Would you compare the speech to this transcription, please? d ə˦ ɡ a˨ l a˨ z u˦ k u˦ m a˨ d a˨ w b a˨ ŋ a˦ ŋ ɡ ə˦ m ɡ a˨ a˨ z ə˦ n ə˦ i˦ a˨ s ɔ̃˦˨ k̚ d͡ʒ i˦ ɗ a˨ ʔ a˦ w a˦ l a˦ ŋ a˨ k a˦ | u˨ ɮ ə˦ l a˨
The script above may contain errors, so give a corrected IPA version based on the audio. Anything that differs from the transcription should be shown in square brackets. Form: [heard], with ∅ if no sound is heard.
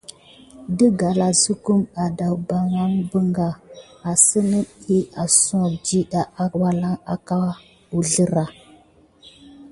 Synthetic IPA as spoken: d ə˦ ɡ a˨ l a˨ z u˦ k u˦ m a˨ d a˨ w b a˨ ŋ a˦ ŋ [b] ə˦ [ŋ] ɡ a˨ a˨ [s] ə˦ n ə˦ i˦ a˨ s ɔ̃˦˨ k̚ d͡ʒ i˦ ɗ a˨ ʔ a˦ w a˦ l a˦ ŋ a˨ k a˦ | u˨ ɮ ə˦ [ɾ] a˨